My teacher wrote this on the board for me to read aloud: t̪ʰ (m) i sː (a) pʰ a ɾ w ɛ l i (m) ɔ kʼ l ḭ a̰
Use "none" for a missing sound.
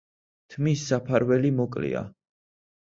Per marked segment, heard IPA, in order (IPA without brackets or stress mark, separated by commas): m, a, m